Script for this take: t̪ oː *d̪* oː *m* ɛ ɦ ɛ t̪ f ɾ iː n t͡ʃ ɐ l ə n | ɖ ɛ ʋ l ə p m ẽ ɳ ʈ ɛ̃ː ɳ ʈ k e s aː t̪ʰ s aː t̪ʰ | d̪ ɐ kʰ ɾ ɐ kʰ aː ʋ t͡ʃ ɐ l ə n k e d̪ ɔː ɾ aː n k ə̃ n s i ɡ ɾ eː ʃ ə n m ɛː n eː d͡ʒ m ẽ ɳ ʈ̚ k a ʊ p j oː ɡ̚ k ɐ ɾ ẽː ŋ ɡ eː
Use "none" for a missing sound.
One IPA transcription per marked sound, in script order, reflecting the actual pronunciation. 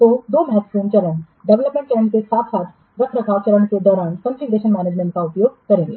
d̪, m

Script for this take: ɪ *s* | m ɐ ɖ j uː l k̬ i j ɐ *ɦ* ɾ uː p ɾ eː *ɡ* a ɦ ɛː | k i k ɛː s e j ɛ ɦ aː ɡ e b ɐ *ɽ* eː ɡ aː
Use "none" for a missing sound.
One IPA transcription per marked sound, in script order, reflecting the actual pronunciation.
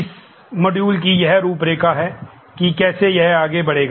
s, ɦ, k, ɽ

